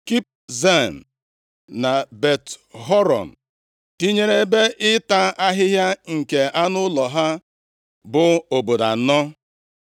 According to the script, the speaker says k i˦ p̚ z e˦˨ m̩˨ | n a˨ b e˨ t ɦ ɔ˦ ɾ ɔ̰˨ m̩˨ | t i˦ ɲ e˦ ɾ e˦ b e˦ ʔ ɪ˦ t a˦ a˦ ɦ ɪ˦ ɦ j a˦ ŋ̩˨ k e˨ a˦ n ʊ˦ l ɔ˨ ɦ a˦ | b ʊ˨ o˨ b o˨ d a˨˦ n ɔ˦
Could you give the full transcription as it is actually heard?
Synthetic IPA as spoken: k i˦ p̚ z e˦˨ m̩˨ | n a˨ b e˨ t ɦ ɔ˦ ɾ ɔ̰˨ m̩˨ | t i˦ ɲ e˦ ɾ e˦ b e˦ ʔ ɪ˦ t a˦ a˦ ɦ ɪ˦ ɦ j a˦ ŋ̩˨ k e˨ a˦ n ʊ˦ l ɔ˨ ɦ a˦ | b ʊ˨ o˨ b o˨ d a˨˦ n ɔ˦